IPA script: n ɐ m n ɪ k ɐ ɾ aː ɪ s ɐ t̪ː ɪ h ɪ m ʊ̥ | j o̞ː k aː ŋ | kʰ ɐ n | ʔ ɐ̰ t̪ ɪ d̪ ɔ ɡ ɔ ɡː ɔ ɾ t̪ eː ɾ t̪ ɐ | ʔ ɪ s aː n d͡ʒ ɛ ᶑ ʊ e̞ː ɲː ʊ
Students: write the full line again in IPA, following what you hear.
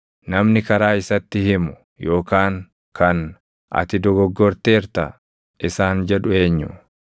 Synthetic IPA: n ɐ m n ɪ k ɐ ɾ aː ɪ s ɐ t̪ː ɪ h ɪ m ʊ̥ | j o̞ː k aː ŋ | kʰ ɐ n | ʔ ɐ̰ t̪ ɪ d̪ ɔ ɡ ɔ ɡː ɔ ɾ t̪ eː ɾ t̪ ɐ | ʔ ɪ s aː n d͡ʒ ɛ ᶑ ʊ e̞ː ɲː ʊ